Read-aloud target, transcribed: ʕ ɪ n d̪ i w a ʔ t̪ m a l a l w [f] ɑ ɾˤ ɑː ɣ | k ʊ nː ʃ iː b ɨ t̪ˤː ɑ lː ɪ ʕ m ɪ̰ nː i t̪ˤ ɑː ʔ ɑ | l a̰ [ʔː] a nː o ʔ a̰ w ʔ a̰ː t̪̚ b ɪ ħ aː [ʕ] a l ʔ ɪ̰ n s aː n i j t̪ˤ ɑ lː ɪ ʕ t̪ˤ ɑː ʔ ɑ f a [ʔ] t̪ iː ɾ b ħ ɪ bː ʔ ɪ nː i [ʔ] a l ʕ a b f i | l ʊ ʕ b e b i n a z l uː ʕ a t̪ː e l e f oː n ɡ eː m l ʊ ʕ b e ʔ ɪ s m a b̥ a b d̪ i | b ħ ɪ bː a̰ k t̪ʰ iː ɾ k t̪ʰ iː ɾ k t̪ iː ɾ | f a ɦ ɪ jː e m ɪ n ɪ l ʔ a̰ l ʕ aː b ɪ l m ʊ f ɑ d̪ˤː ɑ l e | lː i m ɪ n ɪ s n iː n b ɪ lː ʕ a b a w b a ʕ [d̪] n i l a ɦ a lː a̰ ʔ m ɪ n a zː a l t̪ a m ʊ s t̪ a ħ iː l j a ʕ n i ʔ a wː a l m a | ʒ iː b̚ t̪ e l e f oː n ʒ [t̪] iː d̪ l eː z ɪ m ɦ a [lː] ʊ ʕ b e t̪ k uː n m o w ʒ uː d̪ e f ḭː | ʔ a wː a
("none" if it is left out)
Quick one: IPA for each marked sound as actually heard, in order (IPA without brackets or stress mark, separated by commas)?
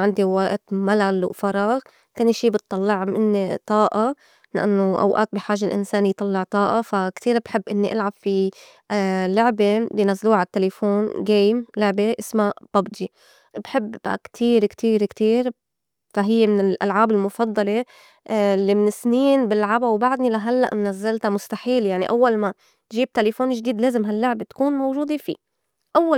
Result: f, ʔ, ʒ, k, ʔ, d̪, d̪, lː